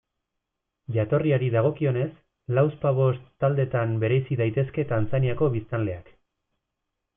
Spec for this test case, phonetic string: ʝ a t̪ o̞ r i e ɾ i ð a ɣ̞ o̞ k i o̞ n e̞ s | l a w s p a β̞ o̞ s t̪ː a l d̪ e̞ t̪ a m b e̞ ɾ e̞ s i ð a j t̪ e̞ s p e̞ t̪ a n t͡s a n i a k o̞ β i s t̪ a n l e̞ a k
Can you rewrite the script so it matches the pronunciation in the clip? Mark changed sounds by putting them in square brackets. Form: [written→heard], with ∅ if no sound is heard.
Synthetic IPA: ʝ a t̪ o̞ r i [e→a] ɾ i ð a ɣ̞ o̞ k i o̞ n e̞ s | l a w s p a β̞ o̞ s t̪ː a l d̪ e̞ t̪ a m b e̞ ɾ e̞ s i ð a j t̪ e̞ s [p→k] e̞ t̪ a n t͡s a n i a k o̞ β i s t̪ a n l e̞ a k